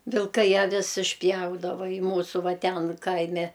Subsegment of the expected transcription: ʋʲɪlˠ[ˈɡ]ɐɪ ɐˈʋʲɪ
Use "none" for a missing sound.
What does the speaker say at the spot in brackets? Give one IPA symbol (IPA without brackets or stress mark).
k